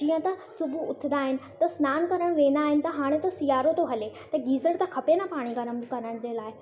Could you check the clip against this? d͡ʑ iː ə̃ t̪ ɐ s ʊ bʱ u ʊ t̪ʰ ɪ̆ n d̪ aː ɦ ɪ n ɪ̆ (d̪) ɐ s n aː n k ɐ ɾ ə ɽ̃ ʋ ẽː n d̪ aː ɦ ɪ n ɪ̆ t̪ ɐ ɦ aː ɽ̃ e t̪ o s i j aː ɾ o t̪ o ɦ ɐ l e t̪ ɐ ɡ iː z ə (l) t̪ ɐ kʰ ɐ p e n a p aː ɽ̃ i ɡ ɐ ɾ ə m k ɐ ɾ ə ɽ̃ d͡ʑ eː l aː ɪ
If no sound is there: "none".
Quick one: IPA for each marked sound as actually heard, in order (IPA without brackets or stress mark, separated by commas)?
t̪, ɽ